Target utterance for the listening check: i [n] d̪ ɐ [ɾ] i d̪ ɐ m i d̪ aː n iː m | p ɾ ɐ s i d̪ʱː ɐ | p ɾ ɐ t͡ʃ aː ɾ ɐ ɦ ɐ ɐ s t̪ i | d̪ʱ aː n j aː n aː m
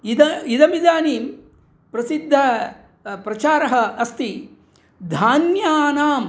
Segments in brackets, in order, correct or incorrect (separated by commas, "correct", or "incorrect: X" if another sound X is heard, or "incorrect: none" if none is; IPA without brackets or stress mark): incorrect: none, incorrect: none